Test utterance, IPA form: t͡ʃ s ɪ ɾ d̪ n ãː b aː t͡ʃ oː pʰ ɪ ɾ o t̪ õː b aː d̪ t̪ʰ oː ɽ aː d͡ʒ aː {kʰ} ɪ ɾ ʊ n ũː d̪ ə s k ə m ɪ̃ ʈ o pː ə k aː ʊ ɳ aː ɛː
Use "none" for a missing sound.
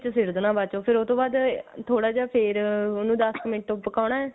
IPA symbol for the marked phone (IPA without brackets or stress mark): pʰ